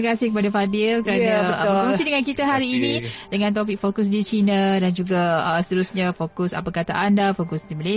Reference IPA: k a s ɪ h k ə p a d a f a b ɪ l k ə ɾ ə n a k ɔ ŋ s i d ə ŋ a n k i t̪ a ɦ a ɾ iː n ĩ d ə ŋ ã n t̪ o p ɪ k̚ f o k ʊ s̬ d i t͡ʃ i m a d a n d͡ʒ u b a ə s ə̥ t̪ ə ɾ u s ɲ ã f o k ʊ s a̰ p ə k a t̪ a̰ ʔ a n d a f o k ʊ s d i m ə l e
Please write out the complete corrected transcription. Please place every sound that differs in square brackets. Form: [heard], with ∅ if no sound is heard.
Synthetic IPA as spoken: k a s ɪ h k ə p a d a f a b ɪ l k ə ɾ [a] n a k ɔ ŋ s i d ə ŋ a n k i t̪ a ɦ a ɾ iː n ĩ d ə ŋ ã n t̪ o p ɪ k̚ f o k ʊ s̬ d i t͡ʃ i [n] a d a n d͡ʒ u [ɡ] a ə s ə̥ t̪ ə ɾ u s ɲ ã f o k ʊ s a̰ p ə k a t̪ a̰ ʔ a n d a f o k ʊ s d i m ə l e